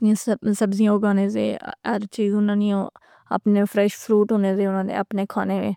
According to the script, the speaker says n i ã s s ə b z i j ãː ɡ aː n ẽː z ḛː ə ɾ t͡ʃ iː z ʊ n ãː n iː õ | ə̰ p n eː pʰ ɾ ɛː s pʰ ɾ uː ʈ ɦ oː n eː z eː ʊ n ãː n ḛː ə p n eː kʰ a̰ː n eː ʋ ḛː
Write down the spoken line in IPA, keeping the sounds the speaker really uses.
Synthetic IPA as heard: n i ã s s ə b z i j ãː ɡ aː n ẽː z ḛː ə ɾ t͡ʃ iː z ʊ n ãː n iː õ | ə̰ p n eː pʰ ɾ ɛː ʃ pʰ ɾ uː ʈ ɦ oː n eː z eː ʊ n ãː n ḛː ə p n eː kʰ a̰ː n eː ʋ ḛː